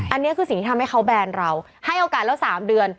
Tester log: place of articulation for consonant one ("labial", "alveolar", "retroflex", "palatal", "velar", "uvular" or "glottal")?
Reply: glottal